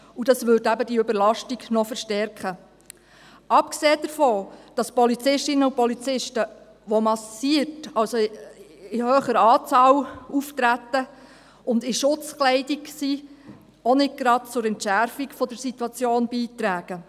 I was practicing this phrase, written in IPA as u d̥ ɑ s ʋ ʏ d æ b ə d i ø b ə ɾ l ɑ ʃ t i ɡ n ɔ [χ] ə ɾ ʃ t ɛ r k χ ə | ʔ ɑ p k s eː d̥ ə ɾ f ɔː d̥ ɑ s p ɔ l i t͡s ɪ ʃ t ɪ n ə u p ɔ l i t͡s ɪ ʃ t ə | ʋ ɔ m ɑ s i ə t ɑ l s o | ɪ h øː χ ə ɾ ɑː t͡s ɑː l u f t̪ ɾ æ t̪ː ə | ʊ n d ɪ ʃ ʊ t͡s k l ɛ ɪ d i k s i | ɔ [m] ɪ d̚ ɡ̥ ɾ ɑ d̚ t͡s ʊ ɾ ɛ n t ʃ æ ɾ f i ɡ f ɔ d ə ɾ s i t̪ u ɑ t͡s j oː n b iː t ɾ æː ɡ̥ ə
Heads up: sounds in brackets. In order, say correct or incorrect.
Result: incorrect: f, incorrect: n

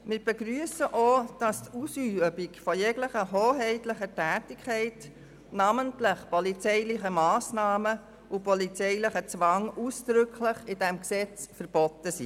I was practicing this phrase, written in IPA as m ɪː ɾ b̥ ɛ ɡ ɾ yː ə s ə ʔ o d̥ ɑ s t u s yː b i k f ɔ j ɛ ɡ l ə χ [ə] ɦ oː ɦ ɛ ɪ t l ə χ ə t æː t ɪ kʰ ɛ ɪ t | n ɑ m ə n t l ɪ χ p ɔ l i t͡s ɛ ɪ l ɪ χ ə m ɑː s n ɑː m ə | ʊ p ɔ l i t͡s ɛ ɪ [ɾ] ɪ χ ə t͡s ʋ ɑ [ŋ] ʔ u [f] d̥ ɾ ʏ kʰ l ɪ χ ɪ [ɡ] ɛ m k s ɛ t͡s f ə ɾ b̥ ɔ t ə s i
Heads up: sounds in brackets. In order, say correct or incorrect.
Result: correct, incorrect: l, correct, incorrect: s, incorrect: d

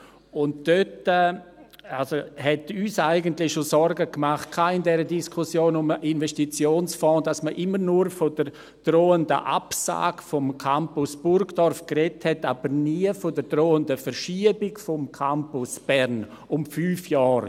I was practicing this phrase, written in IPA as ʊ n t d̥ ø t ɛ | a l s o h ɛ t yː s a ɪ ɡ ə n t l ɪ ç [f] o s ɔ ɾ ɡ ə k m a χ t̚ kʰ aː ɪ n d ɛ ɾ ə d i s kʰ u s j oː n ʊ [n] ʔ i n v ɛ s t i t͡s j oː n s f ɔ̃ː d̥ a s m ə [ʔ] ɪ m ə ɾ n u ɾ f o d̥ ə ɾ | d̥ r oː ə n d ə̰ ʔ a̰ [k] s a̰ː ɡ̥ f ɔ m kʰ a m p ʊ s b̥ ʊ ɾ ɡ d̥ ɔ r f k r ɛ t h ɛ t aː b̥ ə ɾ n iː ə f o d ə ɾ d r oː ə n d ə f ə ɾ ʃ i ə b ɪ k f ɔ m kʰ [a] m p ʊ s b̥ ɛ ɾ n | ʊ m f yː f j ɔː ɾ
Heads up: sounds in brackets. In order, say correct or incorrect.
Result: incorrect: ʃ, incorrect: m, correct, incorrect: p, correct

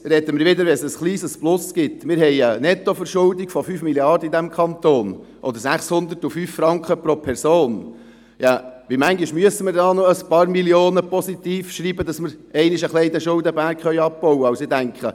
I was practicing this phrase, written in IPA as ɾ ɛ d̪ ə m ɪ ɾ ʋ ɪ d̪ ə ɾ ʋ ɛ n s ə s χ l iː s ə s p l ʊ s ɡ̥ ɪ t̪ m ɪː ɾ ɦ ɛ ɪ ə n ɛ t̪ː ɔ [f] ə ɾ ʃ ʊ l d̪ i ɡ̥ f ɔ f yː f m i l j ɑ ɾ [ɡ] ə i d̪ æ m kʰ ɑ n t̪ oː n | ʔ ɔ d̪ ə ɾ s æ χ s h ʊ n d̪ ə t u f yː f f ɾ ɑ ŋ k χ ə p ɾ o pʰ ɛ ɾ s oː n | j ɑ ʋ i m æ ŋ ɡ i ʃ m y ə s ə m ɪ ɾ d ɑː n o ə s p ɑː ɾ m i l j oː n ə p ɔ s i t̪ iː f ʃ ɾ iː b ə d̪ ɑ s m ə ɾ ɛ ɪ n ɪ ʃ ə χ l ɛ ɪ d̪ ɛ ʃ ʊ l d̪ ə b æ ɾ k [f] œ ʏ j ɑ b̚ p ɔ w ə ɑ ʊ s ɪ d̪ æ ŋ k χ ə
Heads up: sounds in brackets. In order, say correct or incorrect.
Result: correct, incorrect: d, incorrect: χ

